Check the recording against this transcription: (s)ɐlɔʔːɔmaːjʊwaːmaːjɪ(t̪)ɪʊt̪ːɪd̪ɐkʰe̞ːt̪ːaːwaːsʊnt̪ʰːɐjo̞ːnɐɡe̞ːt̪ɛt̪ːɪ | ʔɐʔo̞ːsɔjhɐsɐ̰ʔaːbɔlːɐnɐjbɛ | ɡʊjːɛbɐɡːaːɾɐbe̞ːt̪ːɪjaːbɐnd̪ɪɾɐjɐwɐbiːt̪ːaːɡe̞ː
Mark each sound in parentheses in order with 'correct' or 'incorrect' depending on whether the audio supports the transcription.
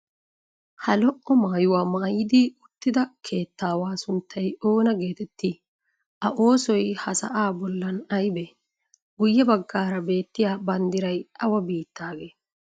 incorrect, incorrect

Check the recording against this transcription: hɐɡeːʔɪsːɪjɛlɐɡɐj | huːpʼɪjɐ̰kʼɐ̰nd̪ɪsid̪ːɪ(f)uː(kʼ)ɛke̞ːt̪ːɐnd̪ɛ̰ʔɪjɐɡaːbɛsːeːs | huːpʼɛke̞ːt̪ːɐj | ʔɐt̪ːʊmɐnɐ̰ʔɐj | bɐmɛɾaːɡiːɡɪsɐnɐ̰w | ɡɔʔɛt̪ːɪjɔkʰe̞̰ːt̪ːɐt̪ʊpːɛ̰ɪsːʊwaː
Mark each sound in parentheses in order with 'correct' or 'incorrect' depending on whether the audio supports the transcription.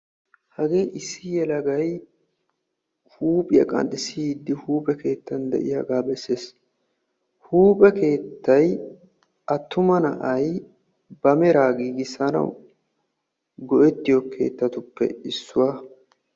incorrect, incorrect

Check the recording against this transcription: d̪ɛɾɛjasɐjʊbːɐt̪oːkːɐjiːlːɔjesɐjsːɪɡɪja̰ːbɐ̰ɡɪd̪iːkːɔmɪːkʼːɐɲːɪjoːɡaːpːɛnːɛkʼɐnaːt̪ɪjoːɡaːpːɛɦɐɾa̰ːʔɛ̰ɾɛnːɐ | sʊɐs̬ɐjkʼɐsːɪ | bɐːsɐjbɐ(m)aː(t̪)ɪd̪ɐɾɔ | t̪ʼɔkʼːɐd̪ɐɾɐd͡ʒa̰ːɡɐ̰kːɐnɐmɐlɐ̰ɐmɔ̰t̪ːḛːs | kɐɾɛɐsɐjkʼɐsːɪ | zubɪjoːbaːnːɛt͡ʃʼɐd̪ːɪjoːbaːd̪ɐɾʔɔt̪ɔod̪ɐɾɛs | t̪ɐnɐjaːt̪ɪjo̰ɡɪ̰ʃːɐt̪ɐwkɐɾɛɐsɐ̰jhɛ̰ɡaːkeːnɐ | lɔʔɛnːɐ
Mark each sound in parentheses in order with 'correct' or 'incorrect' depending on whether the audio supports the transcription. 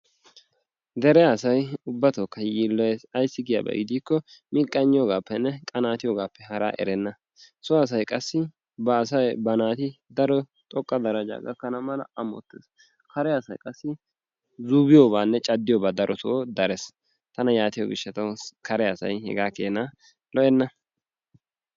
incorrect, correct

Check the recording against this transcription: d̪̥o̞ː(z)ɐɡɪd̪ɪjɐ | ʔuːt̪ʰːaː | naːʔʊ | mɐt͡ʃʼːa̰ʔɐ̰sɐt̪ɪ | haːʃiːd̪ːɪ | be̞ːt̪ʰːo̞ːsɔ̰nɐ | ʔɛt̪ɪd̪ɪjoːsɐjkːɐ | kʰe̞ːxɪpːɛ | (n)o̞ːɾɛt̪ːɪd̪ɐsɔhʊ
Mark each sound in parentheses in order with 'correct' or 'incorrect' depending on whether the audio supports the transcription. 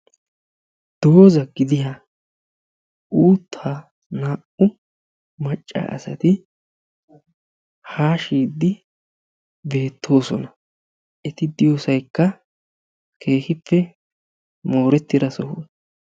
correct, incorrect

